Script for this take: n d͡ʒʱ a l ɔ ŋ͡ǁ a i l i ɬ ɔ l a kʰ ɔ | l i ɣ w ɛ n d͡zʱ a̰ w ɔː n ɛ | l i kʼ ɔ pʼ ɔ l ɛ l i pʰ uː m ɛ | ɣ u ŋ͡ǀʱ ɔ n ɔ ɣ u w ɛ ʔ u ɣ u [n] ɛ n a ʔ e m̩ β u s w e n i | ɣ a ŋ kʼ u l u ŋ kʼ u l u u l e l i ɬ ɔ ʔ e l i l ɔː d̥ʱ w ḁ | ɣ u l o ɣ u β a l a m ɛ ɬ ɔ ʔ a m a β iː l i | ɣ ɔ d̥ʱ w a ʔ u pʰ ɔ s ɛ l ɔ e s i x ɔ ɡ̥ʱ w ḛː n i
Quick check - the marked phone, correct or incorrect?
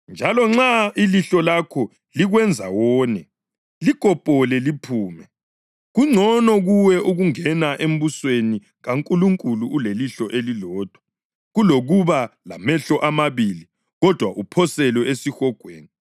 incorrect